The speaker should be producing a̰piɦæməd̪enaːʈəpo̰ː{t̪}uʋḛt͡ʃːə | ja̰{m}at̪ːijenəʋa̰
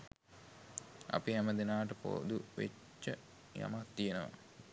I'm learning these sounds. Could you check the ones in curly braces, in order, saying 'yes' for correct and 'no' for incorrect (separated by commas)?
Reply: no, yes